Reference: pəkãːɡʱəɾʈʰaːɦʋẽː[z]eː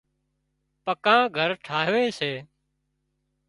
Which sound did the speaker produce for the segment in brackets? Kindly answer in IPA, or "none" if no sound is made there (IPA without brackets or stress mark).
s